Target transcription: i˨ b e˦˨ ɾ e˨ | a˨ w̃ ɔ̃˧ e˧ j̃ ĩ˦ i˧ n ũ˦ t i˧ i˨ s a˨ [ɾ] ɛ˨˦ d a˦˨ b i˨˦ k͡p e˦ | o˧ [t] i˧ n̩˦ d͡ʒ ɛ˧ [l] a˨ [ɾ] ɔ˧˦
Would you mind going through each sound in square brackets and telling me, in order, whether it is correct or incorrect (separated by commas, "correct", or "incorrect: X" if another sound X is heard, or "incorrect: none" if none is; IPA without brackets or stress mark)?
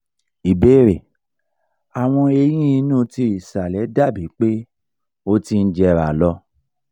incorrect: l, correct, incorrect: ɾ, incorrect: l